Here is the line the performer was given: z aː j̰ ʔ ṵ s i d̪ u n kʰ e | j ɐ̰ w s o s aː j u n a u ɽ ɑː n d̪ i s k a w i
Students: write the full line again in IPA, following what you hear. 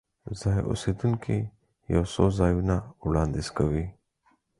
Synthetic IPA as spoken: z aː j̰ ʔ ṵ s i d̪ u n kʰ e | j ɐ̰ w s o z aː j u n a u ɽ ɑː n d̪ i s k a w i